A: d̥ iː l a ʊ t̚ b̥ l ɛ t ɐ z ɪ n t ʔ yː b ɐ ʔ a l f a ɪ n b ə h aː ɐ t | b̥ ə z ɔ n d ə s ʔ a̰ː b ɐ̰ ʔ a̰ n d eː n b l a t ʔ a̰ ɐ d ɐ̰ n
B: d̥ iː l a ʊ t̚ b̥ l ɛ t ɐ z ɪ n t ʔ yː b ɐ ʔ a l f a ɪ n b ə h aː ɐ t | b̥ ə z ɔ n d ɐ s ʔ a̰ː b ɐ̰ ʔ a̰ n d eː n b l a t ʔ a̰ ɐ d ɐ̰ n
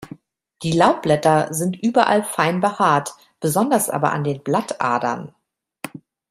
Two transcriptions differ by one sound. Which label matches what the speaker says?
B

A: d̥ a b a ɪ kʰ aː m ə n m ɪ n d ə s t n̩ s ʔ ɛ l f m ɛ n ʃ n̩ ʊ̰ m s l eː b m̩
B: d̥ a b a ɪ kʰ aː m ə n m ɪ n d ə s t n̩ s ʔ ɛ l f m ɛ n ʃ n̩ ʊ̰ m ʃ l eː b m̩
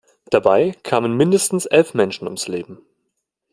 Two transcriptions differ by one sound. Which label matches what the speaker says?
A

